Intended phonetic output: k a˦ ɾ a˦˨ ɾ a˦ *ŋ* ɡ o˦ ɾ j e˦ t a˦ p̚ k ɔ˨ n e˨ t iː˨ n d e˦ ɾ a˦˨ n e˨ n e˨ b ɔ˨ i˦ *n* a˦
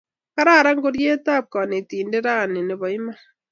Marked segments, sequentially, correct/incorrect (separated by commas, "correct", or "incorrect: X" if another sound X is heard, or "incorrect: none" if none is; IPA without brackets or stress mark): correct, incorrect: m